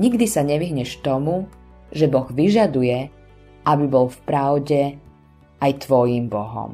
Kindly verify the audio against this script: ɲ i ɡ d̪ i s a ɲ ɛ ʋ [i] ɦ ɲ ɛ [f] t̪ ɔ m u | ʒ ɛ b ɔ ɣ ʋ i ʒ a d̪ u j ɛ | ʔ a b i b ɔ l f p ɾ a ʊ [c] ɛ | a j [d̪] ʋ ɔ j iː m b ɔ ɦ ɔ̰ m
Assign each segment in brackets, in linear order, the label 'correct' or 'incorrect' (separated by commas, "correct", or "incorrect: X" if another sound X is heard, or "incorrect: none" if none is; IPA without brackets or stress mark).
correct, incorrect: ʃ, incorrect: ɟ, incorrect: t̪